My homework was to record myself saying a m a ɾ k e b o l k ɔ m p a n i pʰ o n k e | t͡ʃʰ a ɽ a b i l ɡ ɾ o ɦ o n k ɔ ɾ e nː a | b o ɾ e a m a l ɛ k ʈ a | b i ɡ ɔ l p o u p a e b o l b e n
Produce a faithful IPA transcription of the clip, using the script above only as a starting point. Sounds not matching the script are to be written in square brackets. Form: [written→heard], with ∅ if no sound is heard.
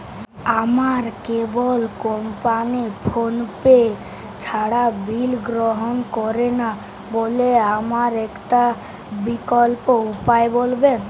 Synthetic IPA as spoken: a m a ɾ k e b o l k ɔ m p a n i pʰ o n [k→p] e | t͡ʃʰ a ɽ a b i l ɡ ɾ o ɦ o n k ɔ ɾ e [nː→n] a | b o [ɾ→l] e a m a [l→ɾ] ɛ k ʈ a | b i [ɡ→k] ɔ l p o u p a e b o l b e n